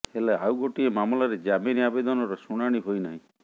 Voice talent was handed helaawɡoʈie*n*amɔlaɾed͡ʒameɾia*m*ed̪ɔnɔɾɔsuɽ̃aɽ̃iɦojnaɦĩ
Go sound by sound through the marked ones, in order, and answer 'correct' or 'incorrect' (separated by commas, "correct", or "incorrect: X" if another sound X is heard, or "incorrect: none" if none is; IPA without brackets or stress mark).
incorrect: m, incorrect: b